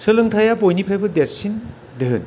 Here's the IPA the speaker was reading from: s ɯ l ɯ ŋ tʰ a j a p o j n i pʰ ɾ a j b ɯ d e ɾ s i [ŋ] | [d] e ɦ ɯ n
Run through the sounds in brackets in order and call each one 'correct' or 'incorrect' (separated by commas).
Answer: incorrect, correct